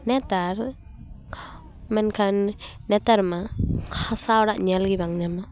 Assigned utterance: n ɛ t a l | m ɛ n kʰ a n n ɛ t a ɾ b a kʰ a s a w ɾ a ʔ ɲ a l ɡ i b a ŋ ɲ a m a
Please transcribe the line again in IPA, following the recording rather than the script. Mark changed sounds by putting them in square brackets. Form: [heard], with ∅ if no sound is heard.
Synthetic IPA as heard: n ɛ t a [ɾ] | m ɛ n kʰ a n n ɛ t a ɾ [m] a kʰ a s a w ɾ a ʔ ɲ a l ɡ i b a ŋ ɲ a m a